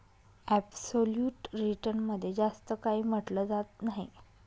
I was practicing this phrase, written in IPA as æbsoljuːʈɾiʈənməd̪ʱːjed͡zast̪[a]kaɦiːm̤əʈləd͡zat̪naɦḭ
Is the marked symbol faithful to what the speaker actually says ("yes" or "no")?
no